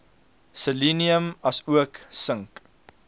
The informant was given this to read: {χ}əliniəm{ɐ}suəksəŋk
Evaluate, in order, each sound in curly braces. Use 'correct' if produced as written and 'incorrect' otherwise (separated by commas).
incorrect, correct